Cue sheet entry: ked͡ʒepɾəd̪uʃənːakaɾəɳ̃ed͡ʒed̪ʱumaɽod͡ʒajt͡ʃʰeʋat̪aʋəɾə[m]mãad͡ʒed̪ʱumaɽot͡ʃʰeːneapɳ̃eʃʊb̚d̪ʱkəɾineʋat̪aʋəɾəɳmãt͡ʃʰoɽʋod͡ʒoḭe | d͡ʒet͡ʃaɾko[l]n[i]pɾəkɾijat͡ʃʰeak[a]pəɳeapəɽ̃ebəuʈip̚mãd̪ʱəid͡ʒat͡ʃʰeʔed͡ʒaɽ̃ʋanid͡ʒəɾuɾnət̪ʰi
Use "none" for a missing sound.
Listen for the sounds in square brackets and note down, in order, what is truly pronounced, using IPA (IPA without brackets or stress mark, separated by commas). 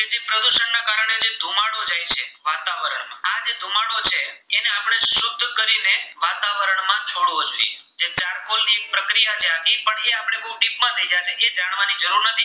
ɳ, l, i, i